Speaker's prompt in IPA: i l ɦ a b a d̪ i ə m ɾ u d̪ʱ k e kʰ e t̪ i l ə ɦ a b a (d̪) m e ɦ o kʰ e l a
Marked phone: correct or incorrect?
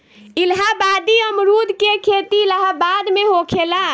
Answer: correct